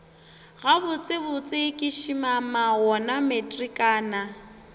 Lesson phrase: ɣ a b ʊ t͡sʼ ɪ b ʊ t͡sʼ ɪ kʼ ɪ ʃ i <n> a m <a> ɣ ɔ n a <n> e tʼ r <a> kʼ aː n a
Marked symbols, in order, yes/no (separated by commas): no, yes, no, no